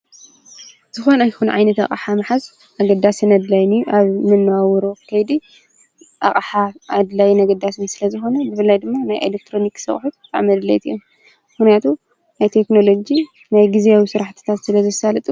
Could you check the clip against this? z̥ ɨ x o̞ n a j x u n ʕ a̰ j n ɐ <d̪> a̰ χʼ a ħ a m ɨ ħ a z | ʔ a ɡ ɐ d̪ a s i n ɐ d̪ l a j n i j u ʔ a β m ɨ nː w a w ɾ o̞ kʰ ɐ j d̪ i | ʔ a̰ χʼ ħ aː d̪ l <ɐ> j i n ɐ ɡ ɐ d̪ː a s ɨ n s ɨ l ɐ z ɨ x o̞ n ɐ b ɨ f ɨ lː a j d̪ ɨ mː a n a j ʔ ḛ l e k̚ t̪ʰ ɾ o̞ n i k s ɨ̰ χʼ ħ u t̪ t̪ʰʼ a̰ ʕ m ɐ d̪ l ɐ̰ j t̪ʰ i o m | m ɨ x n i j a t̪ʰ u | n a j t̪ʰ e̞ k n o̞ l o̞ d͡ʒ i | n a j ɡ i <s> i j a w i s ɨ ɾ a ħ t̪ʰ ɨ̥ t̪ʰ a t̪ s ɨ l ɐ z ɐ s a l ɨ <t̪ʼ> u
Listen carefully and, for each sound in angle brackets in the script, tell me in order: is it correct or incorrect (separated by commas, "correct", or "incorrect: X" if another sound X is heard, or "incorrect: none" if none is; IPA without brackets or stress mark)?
incorrect: t̪, incorrect: a, incorrect: z, correct